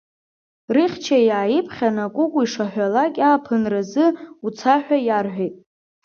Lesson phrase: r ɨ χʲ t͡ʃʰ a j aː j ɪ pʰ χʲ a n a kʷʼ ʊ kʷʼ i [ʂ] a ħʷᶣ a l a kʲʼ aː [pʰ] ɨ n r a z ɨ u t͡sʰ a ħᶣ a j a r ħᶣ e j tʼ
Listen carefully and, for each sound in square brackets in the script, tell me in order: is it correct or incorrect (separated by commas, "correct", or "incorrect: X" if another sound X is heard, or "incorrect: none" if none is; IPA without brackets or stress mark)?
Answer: correct, correct